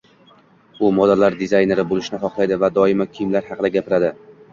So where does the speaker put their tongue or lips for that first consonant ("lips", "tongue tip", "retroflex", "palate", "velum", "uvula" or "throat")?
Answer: lips